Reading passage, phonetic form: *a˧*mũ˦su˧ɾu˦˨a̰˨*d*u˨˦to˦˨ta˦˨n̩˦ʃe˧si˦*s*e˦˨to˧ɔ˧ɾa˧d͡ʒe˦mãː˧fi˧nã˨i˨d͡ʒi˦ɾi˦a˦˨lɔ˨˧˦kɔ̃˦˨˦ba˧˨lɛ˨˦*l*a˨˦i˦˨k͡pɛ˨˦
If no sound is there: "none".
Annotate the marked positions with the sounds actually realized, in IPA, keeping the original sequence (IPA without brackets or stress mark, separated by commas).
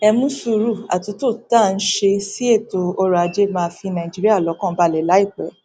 ɛ˧, t, none, l